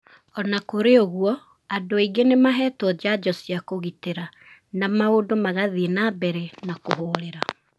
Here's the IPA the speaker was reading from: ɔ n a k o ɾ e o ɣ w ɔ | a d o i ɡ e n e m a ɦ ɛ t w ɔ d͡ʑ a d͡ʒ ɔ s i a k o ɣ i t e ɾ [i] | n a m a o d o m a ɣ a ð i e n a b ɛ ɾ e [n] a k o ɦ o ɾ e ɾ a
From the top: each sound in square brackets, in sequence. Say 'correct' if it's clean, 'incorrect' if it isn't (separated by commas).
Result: incorrect, correct